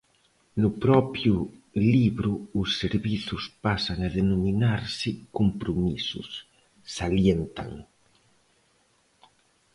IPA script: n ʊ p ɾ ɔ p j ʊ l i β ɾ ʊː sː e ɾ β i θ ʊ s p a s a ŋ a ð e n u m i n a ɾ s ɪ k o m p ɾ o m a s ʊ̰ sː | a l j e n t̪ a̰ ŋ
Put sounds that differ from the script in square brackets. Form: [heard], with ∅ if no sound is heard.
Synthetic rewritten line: n ʊ p ɾ ɔ p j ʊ l i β ɾ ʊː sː e ɾ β i θ ʊ s p a s a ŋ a ð e n [o] m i n a ɾ s ɪ k o m p ɾ o m [i] s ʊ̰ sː | a l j e n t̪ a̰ ŋ